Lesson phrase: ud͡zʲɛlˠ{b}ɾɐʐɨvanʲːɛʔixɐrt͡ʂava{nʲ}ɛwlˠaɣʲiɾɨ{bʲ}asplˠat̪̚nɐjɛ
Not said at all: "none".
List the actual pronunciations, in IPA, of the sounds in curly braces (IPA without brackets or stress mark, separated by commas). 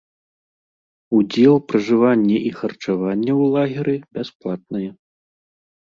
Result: p, nʲː, bʲ